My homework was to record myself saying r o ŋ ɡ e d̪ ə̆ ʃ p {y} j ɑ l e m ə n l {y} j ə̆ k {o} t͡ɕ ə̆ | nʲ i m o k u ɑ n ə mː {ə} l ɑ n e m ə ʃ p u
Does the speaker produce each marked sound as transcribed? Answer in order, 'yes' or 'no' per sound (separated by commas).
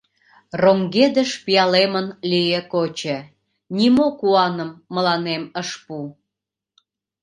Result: no, no, yes, yes